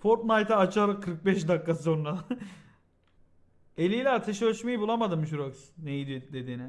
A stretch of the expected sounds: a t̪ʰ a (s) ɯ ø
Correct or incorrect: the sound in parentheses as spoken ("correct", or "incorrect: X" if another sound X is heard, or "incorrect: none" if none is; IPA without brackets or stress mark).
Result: incorrect: ʃ